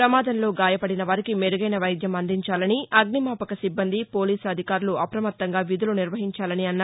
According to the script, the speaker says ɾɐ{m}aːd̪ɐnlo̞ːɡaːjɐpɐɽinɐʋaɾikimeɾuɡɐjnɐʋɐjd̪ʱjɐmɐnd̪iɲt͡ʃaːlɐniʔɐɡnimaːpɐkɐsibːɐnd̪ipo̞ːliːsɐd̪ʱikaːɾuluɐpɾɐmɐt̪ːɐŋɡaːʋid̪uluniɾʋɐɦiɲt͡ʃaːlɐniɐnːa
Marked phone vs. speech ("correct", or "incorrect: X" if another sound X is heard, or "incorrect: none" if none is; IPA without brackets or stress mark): correct